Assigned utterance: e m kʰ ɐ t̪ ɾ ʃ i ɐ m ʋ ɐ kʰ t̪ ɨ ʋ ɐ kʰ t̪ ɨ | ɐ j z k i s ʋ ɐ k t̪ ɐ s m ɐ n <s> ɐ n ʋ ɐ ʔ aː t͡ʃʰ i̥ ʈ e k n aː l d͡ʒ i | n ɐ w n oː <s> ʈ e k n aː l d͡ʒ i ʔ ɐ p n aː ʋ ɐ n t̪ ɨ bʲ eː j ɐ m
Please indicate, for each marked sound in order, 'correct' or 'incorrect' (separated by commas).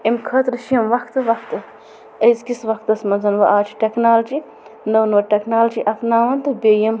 incorrect, incorrect